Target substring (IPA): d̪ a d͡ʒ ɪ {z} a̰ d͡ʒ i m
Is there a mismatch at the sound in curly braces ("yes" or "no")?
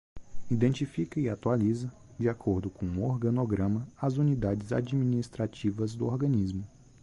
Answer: no